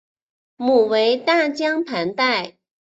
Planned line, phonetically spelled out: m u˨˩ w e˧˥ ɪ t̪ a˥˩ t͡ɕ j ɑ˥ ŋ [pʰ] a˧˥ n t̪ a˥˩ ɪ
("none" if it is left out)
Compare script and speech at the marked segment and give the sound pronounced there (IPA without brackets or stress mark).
pʰ